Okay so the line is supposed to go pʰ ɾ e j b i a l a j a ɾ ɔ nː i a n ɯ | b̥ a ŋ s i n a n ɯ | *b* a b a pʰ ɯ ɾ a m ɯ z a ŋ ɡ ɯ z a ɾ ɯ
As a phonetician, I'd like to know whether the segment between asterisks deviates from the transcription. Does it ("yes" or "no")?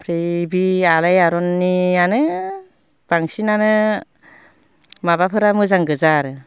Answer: yes